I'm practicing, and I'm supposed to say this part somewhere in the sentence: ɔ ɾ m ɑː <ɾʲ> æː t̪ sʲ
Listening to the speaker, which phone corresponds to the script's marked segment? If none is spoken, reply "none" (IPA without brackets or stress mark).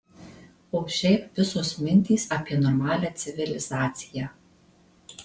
lʲ